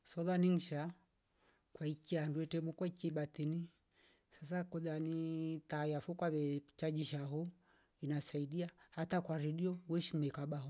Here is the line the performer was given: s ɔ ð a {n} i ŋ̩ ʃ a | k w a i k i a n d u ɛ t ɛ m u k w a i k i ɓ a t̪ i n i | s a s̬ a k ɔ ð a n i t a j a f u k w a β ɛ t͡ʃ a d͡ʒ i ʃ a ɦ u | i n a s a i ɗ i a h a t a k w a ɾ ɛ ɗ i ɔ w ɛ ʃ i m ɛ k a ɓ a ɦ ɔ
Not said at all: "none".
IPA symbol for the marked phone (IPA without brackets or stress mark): n